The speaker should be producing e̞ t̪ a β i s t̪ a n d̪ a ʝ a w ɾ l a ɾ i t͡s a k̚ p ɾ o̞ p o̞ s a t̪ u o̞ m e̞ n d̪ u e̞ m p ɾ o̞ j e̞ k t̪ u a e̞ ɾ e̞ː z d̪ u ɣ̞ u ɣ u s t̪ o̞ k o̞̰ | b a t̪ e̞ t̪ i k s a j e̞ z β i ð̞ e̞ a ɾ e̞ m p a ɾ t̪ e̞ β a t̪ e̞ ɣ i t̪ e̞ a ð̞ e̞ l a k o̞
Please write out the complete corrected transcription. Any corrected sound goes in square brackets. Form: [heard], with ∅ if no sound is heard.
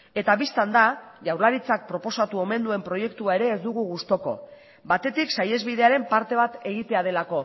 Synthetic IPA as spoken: e̞ t̪ a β i s t̪ a n d̪ a ʝ a w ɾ l a ɾ i t͡s a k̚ p ɾ o̞ p o̞ s a t̪ u o̞ m e̞ n d̪ u e̞ m p ɾ o̞ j e̞ k t̪ u a e̞ ɾ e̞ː z d̪ u ɣ̞ u ɣ u s t̪ o̞ k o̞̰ | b a t̪ e̞ t̪ i k s a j e̞ z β i ð̞ e̞ a ɾ e̞ m p a ɾ t̪ e̞ β a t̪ e̞ ɣ i t̪ e̞ a ð̞ e̞ l a k o̞